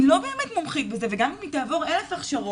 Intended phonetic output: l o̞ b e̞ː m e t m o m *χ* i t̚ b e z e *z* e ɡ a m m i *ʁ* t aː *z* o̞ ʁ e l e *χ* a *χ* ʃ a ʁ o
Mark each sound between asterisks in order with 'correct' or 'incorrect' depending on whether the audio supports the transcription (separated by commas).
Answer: correct, incorrect, incorrect, incorrect, incorrect, correct